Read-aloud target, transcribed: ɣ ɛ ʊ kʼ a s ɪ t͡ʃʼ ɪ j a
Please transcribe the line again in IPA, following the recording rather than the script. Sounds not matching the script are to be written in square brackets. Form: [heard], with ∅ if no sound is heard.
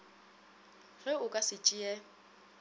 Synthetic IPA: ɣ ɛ ʊ kʼ a s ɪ t͡ʃʼ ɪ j [ɛ]

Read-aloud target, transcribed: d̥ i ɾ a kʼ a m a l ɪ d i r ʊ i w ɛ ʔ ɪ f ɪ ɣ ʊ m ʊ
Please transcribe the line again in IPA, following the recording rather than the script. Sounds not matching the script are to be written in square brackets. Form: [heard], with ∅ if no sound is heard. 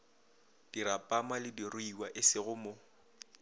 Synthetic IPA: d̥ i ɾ a [pʼ] a m a l ɪ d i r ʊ i w [a] ʔ ɪ [s] ɪ ɣ ʊ m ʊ

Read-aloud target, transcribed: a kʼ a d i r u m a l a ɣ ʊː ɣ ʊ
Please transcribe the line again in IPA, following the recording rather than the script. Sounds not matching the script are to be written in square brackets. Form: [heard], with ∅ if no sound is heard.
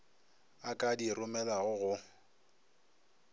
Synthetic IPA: a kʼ a d i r [ʊ] m [ɛ] l a ɣ [ʊ] ɣ ʊ

